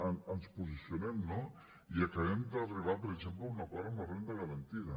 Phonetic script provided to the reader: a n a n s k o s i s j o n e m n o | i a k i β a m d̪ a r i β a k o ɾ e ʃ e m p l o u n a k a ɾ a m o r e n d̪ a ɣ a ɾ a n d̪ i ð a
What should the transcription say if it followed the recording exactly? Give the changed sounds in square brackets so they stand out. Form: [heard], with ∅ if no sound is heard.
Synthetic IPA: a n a n s [p] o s i s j o n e m n o | i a k [a] β [e] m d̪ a r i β a [p] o ɾ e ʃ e m p l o u n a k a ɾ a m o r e n d̪ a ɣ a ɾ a n [t̪] i ð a